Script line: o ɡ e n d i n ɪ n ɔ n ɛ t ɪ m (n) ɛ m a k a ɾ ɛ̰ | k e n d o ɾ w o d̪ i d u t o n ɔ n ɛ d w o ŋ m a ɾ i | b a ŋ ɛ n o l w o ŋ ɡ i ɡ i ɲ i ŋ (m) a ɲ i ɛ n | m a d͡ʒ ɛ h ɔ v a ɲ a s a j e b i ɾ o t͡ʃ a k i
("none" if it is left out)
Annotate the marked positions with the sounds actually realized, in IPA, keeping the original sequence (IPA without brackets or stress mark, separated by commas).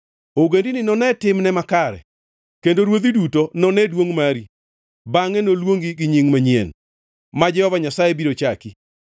n, m